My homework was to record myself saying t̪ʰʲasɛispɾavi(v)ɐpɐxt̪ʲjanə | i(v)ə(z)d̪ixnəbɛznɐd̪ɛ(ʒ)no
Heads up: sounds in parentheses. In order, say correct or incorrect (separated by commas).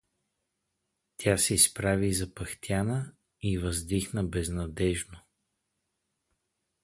incorrect, correct, correct, correct